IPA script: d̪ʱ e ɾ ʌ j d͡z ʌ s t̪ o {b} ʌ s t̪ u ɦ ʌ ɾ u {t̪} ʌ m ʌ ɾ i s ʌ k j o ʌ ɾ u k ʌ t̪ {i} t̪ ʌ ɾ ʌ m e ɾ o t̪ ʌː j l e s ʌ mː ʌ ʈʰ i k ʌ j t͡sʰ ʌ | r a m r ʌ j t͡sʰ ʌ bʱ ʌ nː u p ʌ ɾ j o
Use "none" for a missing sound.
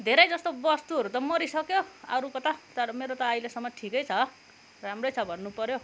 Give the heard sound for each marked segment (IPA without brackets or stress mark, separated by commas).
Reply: b, t̪, a